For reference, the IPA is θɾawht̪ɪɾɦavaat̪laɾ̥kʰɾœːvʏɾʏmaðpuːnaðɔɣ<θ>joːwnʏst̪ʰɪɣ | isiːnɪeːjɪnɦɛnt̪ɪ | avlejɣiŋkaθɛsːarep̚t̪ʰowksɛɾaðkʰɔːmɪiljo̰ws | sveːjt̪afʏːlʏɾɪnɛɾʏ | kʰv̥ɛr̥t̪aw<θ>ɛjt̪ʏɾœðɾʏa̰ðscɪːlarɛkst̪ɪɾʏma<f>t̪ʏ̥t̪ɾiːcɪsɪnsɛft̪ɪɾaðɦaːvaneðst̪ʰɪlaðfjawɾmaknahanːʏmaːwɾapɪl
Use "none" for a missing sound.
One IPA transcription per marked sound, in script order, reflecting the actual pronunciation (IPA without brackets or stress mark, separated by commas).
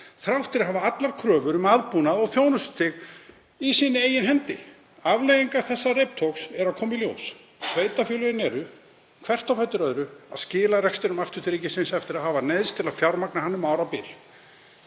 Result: θ, f, f